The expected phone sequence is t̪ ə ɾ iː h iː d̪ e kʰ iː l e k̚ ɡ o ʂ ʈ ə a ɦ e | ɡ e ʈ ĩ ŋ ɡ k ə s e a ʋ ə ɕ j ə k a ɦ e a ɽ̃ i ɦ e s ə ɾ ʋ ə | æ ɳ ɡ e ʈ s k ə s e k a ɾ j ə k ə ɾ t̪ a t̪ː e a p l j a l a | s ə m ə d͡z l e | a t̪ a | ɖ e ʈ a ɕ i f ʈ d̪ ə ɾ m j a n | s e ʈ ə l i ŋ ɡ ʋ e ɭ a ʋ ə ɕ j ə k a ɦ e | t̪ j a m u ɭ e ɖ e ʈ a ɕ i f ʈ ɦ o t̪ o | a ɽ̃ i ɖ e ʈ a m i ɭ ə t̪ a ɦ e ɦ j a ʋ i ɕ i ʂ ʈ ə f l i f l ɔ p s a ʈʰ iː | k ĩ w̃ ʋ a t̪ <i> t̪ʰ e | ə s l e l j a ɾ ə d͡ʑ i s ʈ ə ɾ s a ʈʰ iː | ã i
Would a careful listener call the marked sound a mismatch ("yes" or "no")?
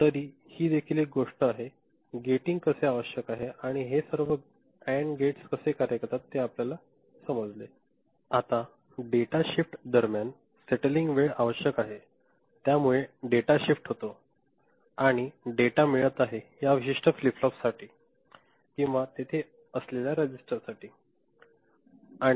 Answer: yes